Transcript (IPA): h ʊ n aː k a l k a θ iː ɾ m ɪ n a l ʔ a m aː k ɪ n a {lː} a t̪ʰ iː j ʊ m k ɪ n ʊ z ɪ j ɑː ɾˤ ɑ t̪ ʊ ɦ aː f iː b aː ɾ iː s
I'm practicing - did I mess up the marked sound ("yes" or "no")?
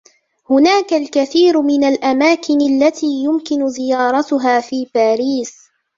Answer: no